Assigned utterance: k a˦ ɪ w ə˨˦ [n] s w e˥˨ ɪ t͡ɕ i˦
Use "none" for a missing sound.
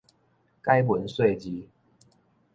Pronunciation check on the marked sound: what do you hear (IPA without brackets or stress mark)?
n